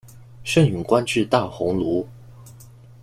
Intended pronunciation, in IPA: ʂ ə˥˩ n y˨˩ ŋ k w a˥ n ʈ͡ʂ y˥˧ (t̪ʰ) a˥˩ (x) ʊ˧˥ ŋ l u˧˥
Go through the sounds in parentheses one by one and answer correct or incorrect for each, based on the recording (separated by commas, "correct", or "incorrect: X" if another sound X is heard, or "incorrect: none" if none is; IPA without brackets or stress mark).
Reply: incorrect: t̪, correct